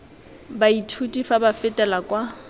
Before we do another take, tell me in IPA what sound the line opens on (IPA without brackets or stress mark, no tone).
b